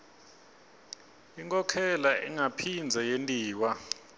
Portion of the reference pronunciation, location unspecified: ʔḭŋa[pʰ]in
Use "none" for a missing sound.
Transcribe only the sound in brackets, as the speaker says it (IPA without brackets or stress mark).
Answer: pʰ